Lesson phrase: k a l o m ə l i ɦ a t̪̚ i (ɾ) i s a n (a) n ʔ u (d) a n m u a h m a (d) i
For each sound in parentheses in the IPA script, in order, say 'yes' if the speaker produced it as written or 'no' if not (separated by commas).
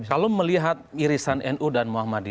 yes, no, yes, yes